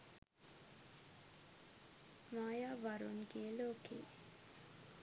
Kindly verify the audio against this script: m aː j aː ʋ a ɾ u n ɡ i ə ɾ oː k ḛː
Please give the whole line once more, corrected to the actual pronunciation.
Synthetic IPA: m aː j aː ʋ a ɾ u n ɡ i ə l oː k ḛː